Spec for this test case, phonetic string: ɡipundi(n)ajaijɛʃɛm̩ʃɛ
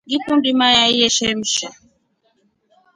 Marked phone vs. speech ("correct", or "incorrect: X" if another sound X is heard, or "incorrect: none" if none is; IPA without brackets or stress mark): incorrect: m